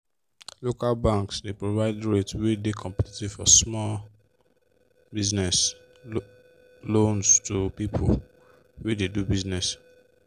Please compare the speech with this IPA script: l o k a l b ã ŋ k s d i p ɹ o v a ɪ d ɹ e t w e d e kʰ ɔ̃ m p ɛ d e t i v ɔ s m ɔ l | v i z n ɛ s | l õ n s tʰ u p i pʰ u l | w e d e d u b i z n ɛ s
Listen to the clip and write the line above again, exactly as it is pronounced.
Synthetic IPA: l o k a l b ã ŋ k s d e p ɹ o v a ɪ d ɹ e t w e d e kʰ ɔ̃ m p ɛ t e t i f ɔ s m ɔ l | b i z n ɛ s | l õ n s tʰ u p i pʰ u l | w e d e d u b i z n ɛ s